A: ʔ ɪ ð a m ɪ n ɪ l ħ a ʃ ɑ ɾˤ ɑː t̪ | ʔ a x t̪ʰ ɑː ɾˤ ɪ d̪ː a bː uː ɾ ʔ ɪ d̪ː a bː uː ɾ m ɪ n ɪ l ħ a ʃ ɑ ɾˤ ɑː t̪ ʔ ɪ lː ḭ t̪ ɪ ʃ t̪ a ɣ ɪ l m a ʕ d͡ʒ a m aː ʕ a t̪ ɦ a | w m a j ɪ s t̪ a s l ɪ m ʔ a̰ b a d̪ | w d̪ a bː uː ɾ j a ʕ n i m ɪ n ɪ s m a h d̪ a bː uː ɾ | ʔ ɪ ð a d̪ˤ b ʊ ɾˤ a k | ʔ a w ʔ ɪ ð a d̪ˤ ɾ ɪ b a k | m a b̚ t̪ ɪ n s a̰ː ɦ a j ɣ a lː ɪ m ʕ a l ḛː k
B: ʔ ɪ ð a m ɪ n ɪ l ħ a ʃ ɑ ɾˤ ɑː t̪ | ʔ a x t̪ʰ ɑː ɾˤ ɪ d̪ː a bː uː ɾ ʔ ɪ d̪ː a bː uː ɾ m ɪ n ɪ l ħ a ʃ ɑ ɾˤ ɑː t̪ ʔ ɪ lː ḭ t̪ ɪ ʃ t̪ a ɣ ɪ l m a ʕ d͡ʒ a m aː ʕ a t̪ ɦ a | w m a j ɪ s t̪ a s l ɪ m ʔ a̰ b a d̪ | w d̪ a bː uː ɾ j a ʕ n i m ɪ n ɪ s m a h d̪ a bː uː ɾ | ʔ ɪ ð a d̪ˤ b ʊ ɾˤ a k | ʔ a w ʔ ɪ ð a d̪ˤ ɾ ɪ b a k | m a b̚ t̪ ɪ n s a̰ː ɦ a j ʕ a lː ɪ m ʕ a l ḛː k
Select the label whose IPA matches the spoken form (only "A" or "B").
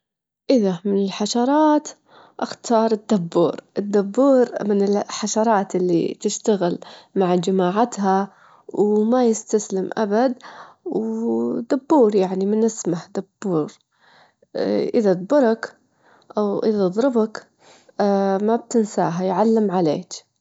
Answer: B